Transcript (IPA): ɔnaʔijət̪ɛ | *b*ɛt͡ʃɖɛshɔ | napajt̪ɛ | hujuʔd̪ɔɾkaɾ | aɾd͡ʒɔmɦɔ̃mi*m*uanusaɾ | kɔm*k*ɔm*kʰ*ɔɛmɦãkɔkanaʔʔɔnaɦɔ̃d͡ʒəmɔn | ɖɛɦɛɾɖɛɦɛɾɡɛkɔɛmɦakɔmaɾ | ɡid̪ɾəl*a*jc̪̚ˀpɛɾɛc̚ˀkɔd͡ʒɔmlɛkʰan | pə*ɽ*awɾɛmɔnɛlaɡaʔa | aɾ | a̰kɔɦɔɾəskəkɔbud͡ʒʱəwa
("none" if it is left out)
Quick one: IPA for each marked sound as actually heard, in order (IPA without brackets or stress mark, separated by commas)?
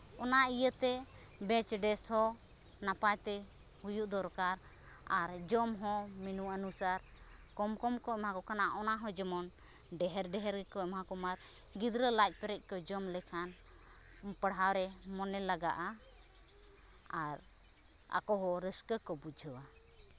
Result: b, n, k, k, a, ɽ